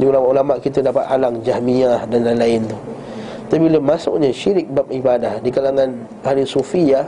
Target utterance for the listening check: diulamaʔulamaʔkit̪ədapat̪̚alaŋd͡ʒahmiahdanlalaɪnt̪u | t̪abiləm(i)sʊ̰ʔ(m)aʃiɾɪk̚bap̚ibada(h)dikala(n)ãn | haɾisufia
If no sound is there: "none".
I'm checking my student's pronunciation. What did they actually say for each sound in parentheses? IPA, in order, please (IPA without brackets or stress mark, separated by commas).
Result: a, ɲ, h, ŋ